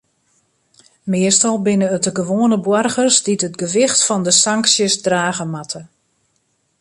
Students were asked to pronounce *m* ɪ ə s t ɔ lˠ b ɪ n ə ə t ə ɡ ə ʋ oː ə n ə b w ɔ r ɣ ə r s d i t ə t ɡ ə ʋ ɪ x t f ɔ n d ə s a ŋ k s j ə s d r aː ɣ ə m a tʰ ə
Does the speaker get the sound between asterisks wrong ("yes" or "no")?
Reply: no